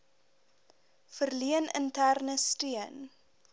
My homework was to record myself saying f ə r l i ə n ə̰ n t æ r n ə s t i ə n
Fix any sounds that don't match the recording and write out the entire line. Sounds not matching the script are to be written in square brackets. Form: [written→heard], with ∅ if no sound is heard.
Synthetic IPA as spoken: f ə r l i ə n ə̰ n t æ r n ə s t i ə n

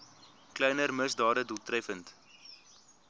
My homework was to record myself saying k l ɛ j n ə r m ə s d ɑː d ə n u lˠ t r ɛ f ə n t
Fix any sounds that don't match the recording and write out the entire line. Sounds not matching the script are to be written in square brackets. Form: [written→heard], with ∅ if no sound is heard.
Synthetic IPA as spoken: k l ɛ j n ə r m ə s d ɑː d ə [n→d] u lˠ t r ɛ f ə n t

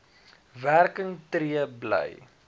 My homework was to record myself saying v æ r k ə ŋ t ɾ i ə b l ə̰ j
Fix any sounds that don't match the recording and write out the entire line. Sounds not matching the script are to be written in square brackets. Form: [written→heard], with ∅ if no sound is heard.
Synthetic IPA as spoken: v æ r k ə ŋ t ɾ i ə b l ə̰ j

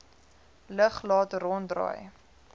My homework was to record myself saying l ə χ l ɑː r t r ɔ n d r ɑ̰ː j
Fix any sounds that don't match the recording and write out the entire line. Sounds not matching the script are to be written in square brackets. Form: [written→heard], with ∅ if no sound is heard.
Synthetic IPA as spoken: l ə χ l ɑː [r→∅] t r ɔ n d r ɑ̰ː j

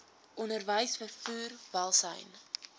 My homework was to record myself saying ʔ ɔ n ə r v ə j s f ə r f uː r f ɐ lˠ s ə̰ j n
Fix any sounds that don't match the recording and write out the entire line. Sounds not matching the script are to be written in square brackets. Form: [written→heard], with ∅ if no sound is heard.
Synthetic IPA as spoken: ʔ ɔ n ə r v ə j s f ə r f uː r [f→v] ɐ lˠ s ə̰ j n

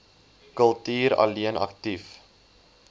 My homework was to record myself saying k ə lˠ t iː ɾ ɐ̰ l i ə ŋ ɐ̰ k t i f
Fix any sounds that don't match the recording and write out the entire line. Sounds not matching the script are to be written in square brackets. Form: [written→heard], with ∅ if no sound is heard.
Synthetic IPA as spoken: k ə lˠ t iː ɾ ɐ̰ l i ə [ŋ→n] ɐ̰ k t i f

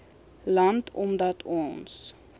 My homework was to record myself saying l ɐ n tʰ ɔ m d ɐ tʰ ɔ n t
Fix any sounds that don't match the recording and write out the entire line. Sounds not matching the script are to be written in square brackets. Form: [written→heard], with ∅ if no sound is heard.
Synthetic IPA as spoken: l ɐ n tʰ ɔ m d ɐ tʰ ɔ n [t→s]

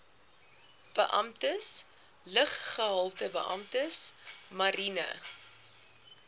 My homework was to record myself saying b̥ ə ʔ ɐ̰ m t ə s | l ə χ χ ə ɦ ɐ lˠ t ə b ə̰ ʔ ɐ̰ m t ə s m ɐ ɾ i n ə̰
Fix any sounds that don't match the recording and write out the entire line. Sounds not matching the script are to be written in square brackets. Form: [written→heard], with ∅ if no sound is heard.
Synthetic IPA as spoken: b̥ ə ʔ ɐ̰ m t ə s | l ə χ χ ə ɦ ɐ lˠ t ə b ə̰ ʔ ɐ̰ m t ə s m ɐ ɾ i n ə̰

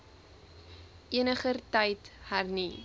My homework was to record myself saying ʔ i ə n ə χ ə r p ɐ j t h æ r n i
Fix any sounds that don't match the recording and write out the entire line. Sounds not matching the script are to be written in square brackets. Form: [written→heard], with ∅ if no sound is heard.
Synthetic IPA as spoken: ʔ i ə n ə χ ə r [p→t] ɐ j t h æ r n i

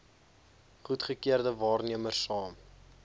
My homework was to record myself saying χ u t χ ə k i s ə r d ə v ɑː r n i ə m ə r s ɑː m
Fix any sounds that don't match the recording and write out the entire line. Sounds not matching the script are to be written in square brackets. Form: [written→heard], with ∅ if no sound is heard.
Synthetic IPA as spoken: χ u t χ ə k i [s→∅] ə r d ə v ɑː r n i ə m ə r s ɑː m

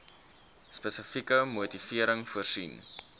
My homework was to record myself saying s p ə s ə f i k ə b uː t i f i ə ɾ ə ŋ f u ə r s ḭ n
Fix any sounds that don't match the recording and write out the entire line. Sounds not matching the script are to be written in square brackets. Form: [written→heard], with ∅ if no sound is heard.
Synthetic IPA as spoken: s p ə s ə f i k ə [b→m] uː t i f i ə ɾ ə ŋ f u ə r s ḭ n

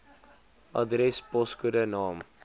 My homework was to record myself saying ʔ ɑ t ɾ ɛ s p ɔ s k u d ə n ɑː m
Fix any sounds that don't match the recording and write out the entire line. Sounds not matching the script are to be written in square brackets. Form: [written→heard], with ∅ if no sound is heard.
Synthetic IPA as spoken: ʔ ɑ [t→d] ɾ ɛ s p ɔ s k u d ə n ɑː m

